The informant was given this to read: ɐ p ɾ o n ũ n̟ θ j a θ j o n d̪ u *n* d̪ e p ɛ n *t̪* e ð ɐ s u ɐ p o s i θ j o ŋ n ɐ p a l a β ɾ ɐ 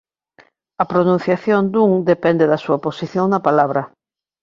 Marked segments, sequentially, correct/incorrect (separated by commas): incorrect, incorrect